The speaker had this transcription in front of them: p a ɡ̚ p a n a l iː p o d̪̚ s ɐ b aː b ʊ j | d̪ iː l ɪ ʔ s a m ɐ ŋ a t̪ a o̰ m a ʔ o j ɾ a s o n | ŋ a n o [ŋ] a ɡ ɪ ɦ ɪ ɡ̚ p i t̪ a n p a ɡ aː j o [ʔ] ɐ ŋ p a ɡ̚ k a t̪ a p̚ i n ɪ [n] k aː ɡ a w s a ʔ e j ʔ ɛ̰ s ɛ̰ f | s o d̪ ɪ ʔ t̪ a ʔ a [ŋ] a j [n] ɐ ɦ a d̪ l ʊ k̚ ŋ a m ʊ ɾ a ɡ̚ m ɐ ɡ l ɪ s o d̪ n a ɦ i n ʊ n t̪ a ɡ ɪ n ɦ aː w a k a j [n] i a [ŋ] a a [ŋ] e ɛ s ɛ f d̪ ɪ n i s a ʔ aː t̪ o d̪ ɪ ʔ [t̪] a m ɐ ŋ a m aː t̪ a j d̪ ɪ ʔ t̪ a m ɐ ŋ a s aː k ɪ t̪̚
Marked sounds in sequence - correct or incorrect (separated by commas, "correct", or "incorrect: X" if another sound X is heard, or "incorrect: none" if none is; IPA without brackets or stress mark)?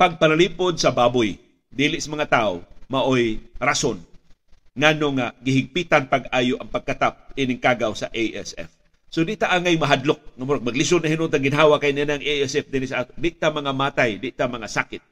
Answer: correct, correct, incorrect: ŋ, correct, incorrect: m, correct, incorrect: n, correct, correct